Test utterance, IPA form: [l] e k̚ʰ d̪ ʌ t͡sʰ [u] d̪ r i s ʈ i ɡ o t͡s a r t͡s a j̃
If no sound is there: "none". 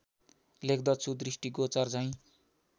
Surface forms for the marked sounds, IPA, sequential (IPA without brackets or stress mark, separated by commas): l, u